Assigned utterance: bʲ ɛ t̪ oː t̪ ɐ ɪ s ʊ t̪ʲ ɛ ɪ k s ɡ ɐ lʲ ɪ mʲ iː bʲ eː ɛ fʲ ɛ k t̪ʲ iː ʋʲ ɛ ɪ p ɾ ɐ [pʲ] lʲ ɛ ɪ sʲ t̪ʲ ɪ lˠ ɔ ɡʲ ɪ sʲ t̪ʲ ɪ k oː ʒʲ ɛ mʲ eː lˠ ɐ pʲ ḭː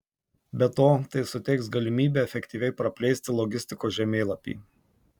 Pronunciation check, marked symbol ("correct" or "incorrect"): correct